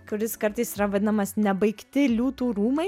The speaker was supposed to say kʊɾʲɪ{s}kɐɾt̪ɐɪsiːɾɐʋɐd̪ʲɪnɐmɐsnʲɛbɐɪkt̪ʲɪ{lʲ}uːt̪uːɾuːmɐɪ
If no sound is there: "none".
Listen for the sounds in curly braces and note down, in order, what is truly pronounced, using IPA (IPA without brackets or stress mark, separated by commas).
s, lʲ